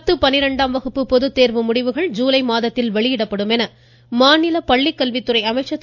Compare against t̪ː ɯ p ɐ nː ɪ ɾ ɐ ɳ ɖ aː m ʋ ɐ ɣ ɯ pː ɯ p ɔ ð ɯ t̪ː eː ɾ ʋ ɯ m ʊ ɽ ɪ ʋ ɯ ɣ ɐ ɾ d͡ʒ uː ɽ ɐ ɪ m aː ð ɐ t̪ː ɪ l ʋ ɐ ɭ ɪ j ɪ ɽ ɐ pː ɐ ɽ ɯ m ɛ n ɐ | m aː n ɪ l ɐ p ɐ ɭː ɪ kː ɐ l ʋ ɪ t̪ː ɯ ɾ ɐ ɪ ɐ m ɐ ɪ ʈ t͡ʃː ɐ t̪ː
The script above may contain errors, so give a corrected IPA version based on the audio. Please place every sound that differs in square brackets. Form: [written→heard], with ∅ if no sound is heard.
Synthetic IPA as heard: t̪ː ɯ p ɐ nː ɪ ɾ ɐ ɳ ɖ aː m ʋ ɐ ɣ ɯ pː ɯ p ɔ ð ɯ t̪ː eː ɾ ʋ ɯ m ʊ ɽ ɪ ʋ ɯ ɣ ɐ [ɾ→ɭ] d͡ʒ uː [ɽ→l] ɐ ɪ m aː ð ɐ t̪ː ɪ l ʋ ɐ ɭ ɪ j ɪ ɽ ɐ pː ɐ ɽ ɯ m ɛ n ɐ | m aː n ɪ l ɐ p ɐ ɭː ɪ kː ɐ l ʋ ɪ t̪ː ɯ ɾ ɐ ɪ ɐ m ɐ ɪ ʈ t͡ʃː ɐ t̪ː